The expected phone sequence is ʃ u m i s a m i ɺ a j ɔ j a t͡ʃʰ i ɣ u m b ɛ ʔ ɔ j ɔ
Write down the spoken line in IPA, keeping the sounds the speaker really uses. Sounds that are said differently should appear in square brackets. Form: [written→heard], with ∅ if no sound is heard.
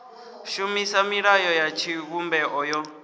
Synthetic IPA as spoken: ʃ u m i s a m i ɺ a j ɔ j a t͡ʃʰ i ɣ u m b ɛ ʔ ɔ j ɔ